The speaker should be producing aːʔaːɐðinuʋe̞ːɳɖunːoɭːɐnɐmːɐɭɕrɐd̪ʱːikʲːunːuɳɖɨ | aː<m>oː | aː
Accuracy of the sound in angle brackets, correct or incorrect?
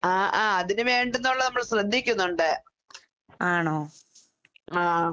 incorrect